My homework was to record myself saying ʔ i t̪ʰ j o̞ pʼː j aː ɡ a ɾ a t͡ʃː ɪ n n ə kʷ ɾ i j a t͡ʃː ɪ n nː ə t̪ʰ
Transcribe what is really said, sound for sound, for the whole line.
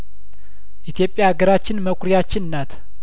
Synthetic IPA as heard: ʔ i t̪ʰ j o̞ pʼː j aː ɡ ə ɾ a t͡ʃː ɪ n m ə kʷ ɾ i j a t͡ʃː ɪ n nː a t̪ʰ